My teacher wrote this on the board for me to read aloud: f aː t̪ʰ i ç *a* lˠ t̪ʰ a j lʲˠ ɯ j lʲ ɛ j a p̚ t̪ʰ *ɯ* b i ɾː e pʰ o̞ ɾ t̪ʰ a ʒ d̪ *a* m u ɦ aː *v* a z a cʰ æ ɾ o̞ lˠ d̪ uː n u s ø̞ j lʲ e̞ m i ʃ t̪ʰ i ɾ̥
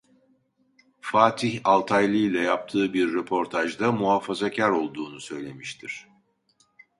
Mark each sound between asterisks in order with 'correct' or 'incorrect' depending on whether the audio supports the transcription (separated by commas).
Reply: correct, incorrect, correct, incorrect